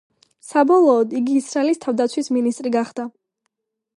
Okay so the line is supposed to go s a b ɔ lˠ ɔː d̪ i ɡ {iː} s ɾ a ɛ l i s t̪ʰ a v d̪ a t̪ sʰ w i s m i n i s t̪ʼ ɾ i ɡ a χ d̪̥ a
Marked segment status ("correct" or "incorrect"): correct